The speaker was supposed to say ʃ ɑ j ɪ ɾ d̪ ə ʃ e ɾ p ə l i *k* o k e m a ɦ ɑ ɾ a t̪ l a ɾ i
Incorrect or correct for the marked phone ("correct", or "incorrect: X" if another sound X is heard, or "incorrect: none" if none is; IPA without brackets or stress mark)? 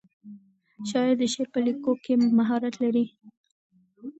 correct